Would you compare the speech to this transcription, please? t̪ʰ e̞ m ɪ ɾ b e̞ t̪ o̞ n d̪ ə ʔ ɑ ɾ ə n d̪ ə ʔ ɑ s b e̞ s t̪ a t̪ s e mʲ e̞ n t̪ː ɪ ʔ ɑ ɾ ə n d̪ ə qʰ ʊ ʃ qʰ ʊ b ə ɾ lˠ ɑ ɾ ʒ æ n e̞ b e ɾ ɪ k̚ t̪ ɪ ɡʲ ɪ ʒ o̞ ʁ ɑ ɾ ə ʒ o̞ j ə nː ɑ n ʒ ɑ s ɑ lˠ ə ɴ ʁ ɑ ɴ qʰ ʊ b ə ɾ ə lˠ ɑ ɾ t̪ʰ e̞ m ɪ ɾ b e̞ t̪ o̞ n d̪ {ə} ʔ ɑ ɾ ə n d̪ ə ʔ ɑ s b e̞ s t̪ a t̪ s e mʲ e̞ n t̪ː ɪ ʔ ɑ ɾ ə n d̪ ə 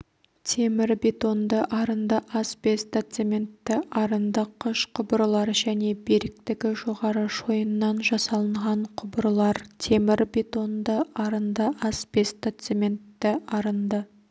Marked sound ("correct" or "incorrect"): correct